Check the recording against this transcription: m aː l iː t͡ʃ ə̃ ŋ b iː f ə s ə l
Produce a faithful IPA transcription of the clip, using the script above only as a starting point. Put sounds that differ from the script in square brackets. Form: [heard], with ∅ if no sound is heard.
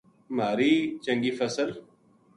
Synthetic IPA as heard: m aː [ɾ] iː t͡ʃ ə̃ ŋ [ɡ] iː f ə s ə l